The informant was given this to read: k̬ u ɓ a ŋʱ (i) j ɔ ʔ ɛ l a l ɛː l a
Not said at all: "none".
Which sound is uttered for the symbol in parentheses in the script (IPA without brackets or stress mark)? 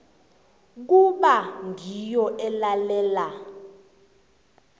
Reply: i